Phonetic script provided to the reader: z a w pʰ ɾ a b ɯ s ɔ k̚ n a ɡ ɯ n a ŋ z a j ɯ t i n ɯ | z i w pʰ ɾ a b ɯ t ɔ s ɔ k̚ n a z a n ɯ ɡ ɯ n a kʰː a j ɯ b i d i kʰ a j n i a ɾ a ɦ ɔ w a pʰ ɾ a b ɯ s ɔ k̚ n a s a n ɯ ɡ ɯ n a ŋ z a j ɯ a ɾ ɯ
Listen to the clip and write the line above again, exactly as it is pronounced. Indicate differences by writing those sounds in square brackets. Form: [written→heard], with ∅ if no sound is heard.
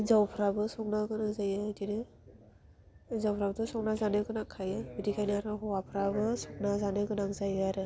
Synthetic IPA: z a w pʰ ɾ a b ɯ s ɔ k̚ n a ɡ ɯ n a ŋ z a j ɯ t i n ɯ | z [i→a] w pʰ ɾ a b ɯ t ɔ s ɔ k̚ n a z a n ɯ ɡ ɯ n a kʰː a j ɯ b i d i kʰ a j n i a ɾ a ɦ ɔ w a pʰ ɾ a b ɯ s ɔ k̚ n a [s→z] a n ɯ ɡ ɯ n a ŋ z a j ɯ a ɾ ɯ